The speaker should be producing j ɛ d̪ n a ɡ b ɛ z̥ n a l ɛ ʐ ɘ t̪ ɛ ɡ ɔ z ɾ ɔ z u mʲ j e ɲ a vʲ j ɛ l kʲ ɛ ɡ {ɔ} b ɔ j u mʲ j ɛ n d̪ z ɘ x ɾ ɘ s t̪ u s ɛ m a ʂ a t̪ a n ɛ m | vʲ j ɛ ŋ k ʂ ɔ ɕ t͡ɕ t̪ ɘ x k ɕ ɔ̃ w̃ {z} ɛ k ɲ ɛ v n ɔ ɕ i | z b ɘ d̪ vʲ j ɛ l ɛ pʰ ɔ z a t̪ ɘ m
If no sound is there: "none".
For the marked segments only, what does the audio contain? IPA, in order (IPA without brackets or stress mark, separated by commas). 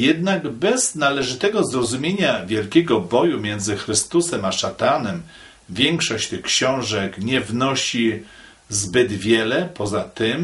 ɔ, ʐ